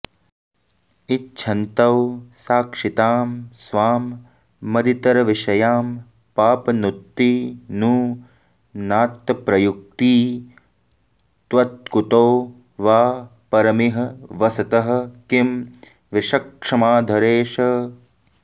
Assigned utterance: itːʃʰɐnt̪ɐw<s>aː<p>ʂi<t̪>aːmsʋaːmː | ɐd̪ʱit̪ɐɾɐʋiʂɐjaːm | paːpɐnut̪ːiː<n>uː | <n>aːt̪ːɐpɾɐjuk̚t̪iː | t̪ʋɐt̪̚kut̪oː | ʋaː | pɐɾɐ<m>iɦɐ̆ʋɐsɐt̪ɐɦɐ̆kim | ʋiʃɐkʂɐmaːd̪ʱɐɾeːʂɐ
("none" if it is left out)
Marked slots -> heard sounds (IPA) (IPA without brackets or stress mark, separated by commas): s, k, t̪, n, n, m